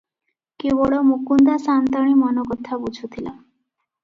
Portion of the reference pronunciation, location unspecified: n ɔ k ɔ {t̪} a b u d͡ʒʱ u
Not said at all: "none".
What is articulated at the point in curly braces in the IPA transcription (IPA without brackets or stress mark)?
t̪ʰ